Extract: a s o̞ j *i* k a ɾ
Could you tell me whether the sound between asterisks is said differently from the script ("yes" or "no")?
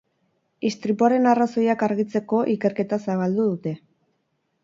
yes